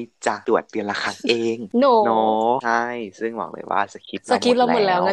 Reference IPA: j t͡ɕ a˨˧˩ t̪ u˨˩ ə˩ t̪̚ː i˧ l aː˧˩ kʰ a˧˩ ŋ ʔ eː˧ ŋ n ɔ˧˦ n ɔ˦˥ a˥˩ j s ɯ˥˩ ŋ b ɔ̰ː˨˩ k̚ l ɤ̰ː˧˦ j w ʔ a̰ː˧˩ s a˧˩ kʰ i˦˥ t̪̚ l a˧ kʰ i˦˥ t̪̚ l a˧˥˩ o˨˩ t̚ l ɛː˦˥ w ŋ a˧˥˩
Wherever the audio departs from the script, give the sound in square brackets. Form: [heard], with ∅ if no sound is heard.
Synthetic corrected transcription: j t͡ɕ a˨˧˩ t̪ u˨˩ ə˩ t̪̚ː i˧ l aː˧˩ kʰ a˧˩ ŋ ʔ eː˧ ŋ n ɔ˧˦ n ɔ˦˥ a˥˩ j s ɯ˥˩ ŋ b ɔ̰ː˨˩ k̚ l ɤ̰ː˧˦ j w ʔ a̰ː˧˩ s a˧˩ kʰ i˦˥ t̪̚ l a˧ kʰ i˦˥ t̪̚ l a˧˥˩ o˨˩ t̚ l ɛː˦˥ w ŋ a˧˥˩